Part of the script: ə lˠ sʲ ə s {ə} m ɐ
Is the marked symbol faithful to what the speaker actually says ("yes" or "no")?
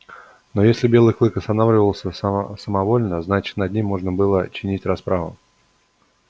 yes